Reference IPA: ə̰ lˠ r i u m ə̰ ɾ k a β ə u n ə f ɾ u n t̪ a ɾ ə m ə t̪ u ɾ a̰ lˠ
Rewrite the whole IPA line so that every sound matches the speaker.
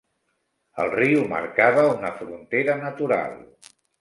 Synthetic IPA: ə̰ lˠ r i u m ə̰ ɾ k a β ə u n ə f ɾ u n t̪ e ɾ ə n ə t̪ u ɾ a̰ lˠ